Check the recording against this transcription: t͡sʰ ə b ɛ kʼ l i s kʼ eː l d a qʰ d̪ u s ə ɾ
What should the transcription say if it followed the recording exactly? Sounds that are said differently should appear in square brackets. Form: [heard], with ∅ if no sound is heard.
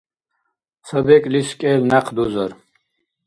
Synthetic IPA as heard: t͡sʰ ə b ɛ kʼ l i s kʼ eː l [n] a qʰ d̪ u [z] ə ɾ